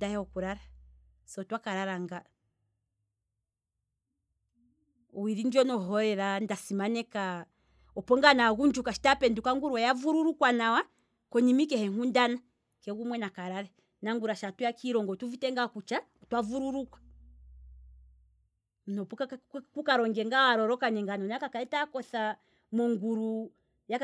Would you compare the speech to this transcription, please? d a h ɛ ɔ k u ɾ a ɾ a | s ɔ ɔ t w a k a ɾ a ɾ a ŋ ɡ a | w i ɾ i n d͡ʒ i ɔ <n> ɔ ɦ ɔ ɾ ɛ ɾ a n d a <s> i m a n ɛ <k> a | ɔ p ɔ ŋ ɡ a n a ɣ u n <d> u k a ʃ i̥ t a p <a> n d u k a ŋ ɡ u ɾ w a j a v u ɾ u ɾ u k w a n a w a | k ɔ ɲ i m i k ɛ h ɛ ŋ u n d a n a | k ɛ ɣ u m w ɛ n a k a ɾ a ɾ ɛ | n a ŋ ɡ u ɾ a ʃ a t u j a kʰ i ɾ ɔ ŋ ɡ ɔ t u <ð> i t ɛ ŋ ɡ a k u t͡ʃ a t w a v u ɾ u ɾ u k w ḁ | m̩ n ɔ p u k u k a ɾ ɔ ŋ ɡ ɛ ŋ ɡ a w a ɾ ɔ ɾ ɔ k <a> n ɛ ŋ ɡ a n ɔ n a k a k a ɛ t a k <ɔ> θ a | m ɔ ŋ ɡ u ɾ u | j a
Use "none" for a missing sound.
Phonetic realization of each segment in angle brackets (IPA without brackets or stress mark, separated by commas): n, s, k, d͡ʒ, ɛ, v, a, ɔ